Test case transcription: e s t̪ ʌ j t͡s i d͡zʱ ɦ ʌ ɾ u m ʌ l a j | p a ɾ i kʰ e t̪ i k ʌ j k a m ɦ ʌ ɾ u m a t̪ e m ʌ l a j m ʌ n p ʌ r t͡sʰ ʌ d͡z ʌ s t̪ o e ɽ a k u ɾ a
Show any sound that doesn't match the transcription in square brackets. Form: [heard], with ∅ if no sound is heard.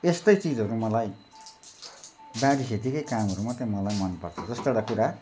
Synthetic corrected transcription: e s t̪ ʌ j t͡s i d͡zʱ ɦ ʌ ɾ u m ʌ l a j | [b] a [ɽ] i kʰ e t̪ i k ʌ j k a m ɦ ʌ ɾ u m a t̪ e m ʌ l a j m ʌ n p ʌ r t͡sʰ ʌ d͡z ʌ s t̪ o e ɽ a k u ɾ a